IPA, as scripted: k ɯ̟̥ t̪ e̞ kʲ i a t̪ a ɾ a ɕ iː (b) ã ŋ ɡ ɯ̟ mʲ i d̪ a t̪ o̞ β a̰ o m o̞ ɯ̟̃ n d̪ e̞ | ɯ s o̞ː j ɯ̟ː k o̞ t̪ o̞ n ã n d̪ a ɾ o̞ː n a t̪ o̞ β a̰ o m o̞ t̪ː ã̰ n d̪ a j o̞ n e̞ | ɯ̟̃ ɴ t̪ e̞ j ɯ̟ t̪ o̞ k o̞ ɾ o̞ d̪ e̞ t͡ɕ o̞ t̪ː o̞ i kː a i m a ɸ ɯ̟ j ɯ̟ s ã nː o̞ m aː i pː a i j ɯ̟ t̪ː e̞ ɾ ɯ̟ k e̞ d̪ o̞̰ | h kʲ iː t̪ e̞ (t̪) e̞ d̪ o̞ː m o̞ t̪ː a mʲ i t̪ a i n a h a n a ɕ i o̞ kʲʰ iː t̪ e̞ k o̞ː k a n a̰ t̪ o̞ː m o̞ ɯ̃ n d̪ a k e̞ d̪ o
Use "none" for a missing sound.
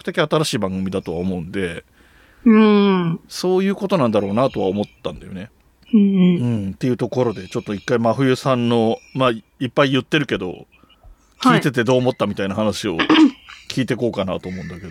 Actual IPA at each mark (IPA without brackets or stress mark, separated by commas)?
b, t̪